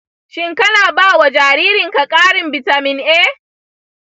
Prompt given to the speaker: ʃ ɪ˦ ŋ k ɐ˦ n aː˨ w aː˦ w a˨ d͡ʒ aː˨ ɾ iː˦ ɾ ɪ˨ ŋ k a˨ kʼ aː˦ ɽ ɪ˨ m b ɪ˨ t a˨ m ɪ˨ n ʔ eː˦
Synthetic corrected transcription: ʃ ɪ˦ ŋ k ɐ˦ n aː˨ b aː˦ w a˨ d͡ʒ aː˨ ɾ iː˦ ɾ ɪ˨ ŋ k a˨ kʼ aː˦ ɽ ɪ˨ m b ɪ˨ t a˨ m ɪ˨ n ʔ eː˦